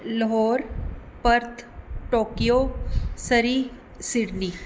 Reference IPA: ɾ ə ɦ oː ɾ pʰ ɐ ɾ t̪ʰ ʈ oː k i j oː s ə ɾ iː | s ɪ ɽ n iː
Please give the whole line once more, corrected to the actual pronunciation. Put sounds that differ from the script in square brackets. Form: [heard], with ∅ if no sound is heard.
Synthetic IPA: [l] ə ɦ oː ɾ [p] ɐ ɾ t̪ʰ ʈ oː k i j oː s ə ɾ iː | s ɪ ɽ n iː